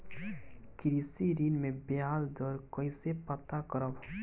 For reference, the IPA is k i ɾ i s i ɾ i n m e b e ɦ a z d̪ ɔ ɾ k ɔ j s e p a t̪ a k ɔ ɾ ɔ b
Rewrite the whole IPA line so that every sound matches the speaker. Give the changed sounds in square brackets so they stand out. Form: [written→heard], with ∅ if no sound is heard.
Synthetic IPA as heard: k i ɾ i s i ɾ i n m e b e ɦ a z d̪ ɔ ɾ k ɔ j s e p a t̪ a k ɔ ɾ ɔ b